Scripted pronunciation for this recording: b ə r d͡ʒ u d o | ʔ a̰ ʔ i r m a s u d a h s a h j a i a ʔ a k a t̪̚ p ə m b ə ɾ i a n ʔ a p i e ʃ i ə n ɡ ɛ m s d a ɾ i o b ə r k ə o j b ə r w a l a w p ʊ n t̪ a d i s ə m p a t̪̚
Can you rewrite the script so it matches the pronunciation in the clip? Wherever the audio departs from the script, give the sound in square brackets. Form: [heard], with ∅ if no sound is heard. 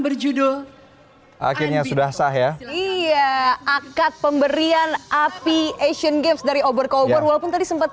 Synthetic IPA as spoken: b ə r d͡ʒ u d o | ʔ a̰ [k] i r [ɲ] a s u d a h s a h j a i a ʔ a k a t̪̚ p ə m b ə ɾ i a n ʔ a p i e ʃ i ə n ɡ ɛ m s d a ɾ i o b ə r k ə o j b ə r w a l a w p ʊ n t̪ a d i s ə m p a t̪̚

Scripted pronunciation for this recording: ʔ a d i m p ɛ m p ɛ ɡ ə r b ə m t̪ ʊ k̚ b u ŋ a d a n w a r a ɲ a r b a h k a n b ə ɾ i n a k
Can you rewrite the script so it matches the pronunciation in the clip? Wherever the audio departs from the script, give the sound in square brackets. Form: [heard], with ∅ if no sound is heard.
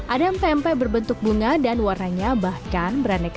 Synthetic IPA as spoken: ʔ a d [a] m p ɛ m p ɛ [b] ə r b ə [n] t̪ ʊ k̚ b u ŋ a d a n w a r a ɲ a [∅] b a h k a n b ə ɾ [a] n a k

